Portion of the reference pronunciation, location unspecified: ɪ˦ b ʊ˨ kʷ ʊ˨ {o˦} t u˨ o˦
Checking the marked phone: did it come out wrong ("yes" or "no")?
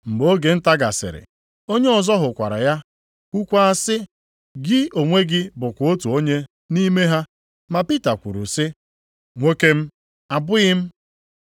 no